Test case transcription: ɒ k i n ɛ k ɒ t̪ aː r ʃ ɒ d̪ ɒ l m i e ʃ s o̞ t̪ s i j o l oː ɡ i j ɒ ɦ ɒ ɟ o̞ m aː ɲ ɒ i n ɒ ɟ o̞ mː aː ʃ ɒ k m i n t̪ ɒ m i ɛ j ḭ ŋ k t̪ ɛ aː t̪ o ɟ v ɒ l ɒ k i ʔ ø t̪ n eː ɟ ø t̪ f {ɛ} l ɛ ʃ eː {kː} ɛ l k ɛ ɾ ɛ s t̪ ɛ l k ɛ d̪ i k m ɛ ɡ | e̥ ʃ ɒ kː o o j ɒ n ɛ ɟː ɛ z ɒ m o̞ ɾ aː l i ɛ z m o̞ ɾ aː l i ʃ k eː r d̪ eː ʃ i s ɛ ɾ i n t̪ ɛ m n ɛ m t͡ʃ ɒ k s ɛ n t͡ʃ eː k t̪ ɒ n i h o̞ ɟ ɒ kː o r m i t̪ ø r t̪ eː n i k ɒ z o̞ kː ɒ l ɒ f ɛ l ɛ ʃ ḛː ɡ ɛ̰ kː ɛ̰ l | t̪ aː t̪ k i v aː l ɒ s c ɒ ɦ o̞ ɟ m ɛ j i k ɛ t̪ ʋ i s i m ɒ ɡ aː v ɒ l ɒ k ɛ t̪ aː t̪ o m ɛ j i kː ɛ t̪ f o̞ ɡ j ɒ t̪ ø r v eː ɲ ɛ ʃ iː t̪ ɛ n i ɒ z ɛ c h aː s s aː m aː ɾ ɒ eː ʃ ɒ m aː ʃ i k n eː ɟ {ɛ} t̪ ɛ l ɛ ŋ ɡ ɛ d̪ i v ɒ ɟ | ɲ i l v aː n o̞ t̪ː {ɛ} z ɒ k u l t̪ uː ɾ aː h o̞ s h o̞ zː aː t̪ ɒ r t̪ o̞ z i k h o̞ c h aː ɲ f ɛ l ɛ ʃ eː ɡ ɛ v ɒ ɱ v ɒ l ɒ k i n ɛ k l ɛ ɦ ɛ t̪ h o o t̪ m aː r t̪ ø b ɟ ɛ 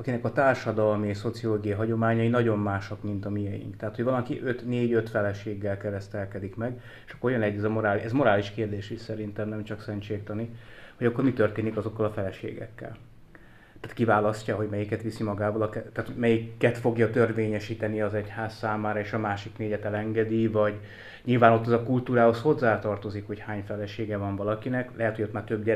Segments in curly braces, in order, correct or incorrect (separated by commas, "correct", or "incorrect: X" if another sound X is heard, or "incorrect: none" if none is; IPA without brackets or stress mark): correct, incorrect: ɡː, correct, correct